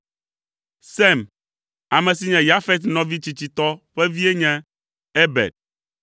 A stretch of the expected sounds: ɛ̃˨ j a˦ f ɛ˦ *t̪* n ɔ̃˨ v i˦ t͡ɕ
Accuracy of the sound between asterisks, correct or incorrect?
correct